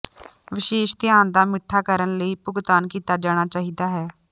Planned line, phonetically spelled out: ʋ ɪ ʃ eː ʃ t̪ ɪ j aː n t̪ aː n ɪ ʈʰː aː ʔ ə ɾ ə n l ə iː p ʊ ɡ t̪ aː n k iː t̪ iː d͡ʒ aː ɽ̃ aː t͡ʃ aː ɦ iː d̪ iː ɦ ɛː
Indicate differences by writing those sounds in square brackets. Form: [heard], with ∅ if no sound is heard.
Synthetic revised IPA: ʋ ɪ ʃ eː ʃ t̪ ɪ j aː n [d̪] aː [m] ɪ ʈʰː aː [k] ə ɾ ə n l ə iː p ʊ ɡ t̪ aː n k iː t̪ [aː] d͡ʒ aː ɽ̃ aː t͡ʃ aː ɦ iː d̪ [aː] ɦ ɛː